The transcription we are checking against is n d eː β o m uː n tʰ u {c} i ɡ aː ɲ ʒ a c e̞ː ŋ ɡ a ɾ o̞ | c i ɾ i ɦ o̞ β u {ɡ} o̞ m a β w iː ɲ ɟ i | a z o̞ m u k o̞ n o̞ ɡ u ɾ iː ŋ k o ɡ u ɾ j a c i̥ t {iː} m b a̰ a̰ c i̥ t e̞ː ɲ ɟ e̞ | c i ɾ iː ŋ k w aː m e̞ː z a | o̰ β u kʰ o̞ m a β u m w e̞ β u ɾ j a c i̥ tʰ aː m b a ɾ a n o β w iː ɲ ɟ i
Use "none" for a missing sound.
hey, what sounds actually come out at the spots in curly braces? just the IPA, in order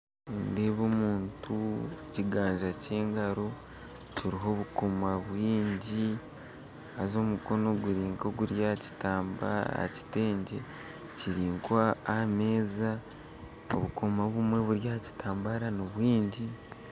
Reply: c, k, aː

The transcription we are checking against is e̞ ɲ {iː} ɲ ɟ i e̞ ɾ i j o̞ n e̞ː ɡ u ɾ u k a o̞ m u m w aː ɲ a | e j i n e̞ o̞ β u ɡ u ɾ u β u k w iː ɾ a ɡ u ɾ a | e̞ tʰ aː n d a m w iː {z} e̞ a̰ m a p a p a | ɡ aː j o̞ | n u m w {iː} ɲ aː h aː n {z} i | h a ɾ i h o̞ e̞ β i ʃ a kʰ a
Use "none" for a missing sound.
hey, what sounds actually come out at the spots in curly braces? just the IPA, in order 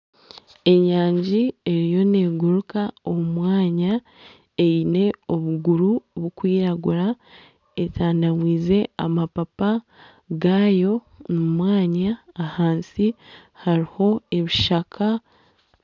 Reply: aː, z, aː, s

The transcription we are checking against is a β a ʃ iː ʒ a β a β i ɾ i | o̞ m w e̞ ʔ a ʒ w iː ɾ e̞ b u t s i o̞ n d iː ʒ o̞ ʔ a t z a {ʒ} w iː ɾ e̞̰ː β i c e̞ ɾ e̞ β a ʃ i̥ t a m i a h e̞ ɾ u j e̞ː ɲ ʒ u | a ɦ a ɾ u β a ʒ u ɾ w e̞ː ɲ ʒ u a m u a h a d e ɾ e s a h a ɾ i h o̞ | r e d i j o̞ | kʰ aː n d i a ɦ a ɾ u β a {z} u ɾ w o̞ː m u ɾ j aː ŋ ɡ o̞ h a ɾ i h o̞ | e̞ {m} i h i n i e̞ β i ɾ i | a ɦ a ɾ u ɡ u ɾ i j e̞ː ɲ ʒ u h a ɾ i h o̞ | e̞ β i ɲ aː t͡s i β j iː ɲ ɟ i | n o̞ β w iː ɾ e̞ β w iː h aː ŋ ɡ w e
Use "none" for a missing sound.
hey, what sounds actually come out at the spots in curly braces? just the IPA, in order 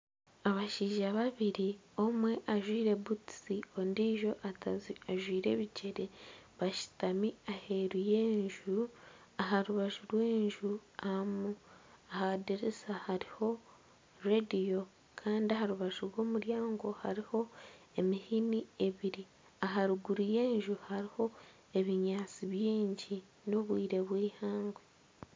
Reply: ʒ, ʒ, m

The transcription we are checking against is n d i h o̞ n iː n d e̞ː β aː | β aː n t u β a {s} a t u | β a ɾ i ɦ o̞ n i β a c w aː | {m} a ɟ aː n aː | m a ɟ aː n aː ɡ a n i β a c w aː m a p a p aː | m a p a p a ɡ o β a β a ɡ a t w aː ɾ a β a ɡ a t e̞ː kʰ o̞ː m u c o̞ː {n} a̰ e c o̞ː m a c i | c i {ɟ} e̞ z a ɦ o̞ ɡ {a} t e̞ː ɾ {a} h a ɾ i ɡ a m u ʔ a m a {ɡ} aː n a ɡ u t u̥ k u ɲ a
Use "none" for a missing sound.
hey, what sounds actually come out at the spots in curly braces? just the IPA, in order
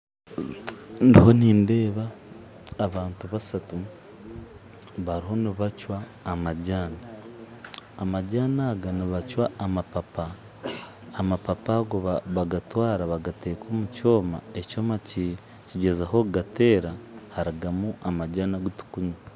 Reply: s, m, m, ɟ, a, a, ɟ

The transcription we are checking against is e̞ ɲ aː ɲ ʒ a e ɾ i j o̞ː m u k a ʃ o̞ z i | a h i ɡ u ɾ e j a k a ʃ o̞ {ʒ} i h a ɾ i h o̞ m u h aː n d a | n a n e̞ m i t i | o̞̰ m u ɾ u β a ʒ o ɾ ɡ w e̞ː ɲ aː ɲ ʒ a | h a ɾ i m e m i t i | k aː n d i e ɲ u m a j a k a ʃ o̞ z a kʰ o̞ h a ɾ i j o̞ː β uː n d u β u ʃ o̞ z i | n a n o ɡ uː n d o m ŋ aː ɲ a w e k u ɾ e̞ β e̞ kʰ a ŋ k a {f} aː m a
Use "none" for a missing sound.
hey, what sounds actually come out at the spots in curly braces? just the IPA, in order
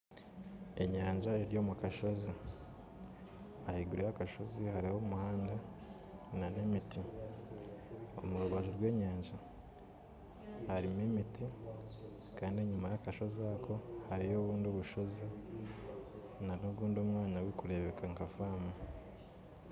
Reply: z, f

